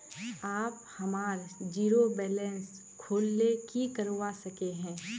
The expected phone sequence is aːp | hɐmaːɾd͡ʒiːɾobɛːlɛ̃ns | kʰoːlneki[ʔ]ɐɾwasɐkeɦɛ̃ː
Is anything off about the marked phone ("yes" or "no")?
yes